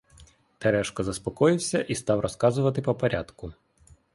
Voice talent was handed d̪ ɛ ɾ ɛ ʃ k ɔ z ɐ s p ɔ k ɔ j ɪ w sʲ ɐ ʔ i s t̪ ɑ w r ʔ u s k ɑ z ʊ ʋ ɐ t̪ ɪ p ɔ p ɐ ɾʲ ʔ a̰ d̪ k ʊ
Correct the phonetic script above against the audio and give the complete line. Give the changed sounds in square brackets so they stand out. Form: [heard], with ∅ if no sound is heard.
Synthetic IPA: [t̪] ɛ ɾ ɛ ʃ k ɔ z ɐ s p ɔ k ɔ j ɪ w sʲ ɐ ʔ i s t̪ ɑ w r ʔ [ɔ] s k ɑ z ʊ ʋ ɐ t̪ ɪ p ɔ p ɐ ɾʲ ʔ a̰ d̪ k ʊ